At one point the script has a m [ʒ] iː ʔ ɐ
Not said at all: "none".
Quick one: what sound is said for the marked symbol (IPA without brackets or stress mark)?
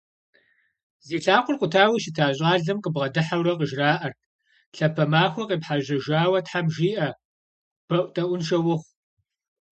ʒ